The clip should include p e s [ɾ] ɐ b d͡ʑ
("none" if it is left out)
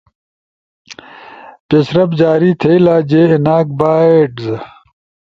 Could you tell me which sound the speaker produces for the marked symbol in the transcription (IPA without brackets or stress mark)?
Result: ɾ